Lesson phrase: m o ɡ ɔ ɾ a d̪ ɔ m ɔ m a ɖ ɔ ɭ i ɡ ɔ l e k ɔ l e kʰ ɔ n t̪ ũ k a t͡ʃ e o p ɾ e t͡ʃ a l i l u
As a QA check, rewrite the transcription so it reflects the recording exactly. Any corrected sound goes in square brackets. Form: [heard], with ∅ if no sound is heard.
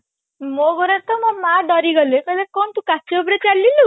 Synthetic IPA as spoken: m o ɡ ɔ ɾ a [t̪] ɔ m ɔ m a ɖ ɔ [ɾ] i ɡ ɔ l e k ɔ l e [k] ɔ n t̪ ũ k a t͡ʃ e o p ɾ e t͡ʃ a l i l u